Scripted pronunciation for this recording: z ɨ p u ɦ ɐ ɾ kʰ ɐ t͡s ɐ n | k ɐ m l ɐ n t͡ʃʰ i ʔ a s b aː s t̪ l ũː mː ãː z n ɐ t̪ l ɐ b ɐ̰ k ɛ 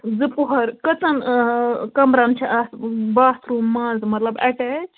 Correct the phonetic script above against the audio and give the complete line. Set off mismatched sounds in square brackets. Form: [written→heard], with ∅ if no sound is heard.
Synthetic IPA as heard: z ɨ p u ɦ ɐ ɾ [kʰ→k] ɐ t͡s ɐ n | k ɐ m [l→ɾ] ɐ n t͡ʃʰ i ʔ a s b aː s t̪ [l→ɾ] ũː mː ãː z [n→m] ɐ t̪ l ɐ b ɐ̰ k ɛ